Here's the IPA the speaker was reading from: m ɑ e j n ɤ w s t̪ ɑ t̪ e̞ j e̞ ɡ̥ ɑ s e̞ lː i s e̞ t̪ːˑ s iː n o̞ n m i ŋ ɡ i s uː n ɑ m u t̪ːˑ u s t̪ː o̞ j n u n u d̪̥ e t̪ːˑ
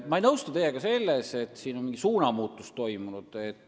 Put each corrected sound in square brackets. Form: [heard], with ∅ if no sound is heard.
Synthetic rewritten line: m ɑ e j n ɤ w s t̪ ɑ t̪ e̞ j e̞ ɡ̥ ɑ s e̞ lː [e] s e̞ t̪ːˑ s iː n o̞ n m i ŋ ɡ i s uː n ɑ m [uː] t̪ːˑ u s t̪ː o̞ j [m] u n u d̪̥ e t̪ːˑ

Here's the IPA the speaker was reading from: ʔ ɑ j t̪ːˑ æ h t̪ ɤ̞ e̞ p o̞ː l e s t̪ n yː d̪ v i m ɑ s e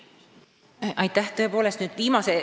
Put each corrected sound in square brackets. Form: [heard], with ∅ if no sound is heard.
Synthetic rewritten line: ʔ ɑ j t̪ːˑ æ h t̪ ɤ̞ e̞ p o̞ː l e s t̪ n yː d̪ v [iː] m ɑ s e

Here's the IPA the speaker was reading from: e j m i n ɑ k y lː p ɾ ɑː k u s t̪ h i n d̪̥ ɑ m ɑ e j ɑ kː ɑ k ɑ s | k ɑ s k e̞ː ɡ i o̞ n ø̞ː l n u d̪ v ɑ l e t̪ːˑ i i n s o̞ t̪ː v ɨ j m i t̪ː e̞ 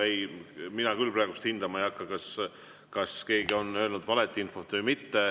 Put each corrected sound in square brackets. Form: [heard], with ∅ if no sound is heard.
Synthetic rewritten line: e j m i n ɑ k y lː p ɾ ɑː [ɡ] u s t̪ h i n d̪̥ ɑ m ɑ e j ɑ kː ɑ k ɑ s | k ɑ s k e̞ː ɡ i o̞ n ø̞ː l n u d̪ v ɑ l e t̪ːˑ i i n [f] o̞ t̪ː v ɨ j m i t̪ː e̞

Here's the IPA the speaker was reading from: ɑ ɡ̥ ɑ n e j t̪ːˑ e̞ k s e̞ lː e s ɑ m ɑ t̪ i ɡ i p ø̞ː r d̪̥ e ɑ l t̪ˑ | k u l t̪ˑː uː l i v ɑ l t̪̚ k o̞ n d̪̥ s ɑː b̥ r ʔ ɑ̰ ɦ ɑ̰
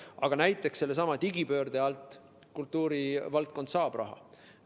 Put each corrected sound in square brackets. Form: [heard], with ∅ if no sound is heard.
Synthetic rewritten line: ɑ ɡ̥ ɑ n [æ] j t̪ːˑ e̞ k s e̞ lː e s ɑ m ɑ t̪ i ɡ i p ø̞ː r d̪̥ e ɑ l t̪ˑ | k u l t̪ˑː uː [ɾ] i v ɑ l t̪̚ k o̞ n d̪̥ s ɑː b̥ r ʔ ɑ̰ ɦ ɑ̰

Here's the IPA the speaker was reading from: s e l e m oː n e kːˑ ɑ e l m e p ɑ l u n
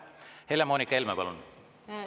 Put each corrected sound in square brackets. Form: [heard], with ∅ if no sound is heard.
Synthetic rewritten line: [h] e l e m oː n [i] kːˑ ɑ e l m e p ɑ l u n

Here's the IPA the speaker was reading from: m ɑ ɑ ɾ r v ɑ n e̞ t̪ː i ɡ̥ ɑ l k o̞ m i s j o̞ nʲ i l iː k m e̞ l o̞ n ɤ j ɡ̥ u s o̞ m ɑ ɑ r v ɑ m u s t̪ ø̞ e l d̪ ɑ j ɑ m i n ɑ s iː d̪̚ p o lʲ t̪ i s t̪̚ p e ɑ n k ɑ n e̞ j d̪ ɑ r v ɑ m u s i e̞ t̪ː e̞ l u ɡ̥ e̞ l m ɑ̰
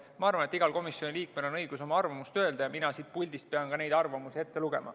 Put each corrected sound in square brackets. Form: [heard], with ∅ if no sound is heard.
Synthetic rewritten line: m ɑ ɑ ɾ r v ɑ n e̞ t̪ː i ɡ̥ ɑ l k o̞ m i s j o̞ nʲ i l iː k m e̞ l o̞ n ɤ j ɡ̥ u s o̞ m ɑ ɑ r v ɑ m u s t̪ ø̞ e l d̪ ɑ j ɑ m i n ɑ s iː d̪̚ p [u] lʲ [d̪] i s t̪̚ p e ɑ n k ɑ n e̞ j d̪ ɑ r v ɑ m u s i e̞ t̪ː e̞ l u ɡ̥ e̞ [∅] m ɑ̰

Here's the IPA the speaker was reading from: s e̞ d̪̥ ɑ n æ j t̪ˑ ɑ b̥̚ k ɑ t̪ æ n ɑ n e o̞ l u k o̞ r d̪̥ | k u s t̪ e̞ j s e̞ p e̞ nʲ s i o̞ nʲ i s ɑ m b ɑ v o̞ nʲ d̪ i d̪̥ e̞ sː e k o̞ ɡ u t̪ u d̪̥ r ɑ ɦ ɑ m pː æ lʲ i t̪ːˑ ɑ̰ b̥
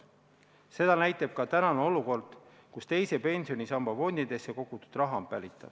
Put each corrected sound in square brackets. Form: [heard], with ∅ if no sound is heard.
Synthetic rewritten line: s e̞ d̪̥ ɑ n æ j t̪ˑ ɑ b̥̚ k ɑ t̪ æ n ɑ n e o̞ l u k o̞ r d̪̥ | k u s t̪ e̞ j s e̞ p e̞ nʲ s i o̞ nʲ i s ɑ m b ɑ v o̞ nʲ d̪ i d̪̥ e̞ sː e k o̞ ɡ u t̪ u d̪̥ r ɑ ɦ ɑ m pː æ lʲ i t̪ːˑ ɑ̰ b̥

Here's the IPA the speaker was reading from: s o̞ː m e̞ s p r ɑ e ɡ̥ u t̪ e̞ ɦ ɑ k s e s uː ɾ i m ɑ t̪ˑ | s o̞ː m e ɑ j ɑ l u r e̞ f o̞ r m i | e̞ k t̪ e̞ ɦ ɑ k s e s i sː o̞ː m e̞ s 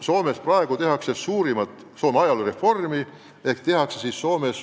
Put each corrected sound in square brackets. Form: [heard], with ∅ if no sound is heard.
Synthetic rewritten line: s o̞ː m e̞ s p r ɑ e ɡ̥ u t̪ e̞ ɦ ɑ k s e s uː ɾ i m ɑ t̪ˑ | s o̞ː m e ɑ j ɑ l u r e̞ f o̞ r m i | e̞ k t̪ e̞ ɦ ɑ k s e s i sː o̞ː m e̞ s

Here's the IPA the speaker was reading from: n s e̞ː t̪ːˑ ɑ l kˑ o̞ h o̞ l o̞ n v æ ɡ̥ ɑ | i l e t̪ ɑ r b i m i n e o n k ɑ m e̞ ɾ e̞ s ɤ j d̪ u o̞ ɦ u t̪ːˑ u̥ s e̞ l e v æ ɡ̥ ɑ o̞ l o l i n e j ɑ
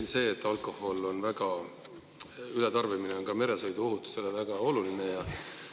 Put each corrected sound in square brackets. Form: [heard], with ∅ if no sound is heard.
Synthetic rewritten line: n s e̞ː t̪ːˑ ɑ l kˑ o̞ h o̞ l o̞ n v æ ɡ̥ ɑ | [y] l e t̪ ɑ r [v] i m i n e o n k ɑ m e̞ ɾ e̞ s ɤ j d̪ u o̞ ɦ u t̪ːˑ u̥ s e̞ l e v æ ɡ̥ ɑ o̞ l [u] l i n e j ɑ

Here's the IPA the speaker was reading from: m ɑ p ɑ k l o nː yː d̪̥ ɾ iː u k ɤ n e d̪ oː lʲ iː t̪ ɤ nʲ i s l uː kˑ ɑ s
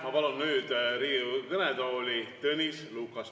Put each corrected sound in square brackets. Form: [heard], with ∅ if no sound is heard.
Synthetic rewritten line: m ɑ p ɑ [∅] l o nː yː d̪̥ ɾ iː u k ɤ n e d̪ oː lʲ [i] t̪ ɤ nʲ i s l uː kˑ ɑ s

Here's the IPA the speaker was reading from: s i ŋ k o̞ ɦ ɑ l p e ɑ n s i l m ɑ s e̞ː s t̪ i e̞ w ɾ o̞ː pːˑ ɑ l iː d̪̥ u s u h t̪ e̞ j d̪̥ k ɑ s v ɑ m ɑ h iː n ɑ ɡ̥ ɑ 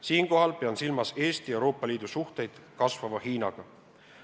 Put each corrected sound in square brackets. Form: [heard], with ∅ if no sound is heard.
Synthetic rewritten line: s [iː] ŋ k o̞ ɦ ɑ l p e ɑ n s i l m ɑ s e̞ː s t̪ i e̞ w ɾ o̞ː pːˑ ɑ l iː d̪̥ u s u h t̪ e̞ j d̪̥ k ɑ s v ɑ m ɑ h iː n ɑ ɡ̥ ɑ

